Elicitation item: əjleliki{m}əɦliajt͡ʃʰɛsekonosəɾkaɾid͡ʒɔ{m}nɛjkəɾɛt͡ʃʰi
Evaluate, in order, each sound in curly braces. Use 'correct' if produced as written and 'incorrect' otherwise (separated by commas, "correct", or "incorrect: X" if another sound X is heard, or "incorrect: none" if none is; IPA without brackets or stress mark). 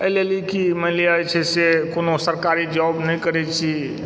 correct, incorrect: b